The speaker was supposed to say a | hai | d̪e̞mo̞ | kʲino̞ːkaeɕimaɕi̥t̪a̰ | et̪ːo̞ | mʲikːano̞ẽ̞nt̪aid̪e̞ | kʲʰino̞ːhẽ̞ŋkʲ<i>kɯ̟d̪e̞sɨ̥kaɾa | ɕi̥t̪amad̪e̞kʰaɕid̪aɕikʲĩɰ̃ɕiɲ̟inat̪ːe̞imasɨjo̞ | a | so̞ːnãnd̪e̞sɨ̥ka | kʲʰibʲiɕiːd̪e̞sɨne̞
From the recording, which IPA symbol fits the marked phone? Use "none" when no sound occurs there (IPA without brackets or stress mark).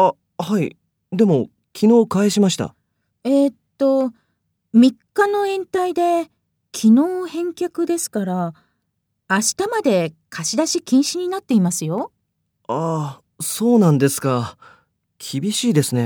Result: a